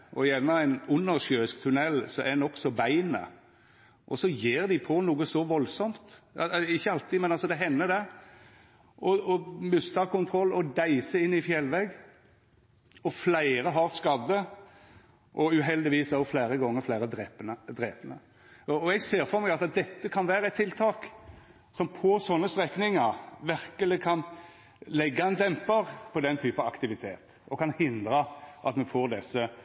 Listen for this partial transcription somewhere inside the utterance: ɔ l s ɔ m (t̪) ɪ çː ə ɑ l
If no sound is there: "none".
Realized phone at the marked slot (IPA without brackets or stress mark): t̪